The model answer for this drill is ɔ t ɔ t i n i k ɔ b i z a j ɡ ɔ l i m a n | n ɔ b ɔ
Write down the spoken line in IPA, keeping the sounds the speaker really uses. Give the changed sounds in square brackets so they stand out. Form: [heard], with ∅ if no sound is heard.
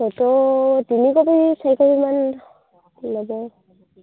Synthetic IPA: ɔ t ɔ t i n i k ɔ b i [s] a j [k] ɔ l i m a n | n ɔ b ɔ